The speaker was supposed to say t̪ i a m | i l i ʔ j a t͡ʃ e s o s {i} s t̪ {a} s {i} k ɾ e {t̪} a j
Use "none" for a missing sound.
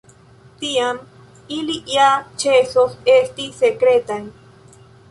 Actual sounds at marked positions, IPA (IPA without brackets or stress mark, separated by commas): e, i, e, t̪